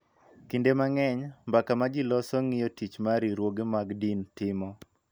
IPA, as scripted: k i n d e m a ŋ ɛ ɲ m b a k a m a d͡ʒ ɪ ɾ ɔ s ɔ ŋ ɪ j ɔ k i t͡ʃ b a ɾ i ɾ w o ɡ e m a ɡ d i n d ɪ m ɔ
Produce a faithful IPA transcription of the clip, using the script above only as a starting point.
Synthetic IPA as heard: k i n d e m a ŋ ɛ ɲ m b a k a m a d͡ʒ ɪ l ɔ s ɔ ŋ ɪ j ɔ t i t͡ʃ m a ɾ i ɾ w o ɡ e m a ɡ d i n t ɪ m ɔ